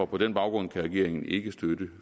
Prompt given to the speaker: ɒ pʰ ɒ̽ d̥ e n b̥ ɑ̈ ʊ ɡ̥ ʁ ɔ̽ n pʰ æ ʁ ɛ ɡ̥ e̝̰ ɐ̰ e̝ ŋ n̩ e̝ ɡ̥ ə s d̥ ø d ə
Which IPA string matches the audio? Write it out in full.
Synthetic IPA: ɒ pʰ ɒ̽ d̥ e n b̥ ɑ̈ ʊ ɡ̥ ʁ ɔ̽ n kʰ æ ʁ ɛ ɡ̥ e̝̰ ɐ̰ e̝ ŋ n̩ e̝ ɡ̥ ə s d̥ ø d ə

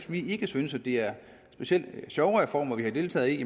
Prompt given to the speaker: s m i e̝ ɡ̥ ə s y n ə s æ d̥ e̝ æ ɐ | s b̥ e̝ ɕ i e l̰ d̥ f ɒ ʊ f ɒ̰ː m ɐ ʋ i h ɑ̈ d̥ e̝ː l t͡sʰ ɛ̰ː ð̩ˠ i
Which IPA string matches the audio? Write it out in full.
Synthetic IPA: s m i e̝ ɡ̥ ə s y n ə s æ d̥ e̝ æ ɐ | s b̥ e̝ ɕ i e l̰ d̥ ɕ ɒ ʊ f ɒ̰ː m ɐ ʋ i h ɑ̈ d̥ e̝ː l t͡sʰ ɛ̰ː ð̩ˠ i

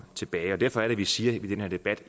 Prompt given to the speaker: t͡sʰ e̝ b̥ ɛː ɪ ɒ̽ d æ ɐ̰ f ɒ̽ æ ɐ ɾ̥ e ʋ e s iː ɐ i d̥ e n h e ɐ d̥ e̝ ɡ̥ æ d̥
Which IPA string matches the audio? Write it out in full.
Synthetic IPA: t͡sʰ e̝ b̥ ɛː ɪ ɒ̽ d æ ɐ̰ f ɒ̽ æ ɐ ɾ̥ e ʋ i s iː ɐ i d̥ e n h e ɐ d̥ e̝ b̥ æ d̥

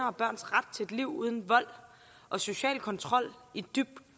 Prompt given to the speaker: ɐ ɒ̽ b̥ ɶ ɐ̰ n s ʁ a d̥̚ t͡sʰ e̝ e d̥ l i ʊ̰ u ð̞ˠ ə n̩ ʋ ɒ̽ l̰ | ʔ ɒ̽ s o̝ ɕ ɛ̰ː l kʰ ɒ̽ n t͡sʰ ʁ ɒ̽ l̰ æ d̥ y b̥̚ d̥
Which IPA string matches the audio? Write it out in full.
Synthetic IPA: ɐ ɒ̽ b̥ ɶ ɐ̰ n s ʁ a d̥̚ t͡sʰ e̝ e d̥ l i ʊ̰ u ð̞ˠ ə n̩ ʋ ɒ̽ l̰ | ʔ ɒ̽ s o̝ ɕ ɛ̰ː l kʰ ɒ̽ n t͡sʰ ʁ ɒ̽ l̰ i d̥ y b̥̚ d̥

